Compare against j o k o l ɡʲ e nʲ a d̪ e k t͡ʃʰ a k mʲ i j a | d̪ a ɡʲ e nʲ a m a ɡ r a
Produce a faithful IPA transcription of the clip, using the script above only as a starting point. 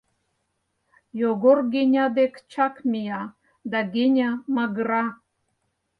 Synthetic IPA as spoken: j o ɡ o r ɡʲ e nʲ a d̪ e k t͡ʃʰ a k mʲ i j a | d̪ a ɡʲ e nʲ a m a ɡ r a